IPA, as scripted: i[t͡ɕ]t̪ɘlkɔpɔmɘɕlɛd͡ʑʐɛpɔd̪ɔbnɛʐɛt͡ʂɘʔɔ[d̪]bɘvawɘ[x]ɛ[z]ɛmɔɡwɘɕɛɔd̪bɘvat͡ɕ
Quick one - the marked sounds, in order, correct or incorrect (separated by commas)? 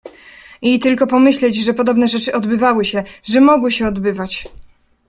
incorrect, correct, incorrect, incorrect